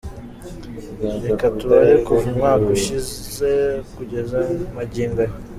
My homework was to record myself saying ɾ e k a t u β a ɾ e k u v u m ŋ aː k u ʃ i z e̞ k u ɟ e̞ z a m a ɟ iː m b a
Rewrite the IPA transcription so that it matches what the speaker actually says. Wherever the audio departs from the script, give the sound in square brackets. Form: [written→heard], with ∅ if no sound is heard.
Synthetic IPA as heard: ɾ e k a t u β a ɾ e k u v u m ŋ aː k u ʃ i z e̞ k u ɟ e̞ z a m a ɟ iː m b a